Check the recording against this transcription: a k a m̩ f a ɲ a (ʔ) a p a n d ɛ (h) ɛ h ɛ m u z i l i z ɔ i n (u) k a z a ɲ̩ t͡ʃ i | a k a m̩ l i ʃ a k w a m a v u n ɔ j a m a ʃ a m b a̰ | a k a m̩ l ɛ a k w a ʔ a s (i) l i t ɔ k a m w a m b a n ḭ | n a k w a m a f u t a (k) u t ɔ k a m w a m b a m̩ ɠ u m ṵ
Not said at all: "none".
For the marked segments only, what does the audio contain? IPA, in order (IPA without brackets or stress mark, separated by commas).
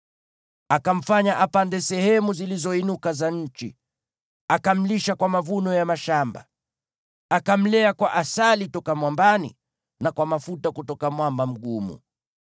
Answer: ʔ, s, u, a, k